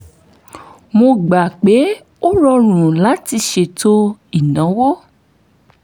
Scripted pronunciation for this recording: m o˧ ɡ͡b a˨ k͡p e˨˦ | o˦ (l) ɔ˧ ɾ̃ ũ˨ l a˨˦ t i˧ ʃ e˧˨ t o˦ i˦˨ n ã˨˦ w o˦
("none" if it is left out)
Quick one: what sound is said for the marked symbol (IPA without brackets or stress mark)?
ɾ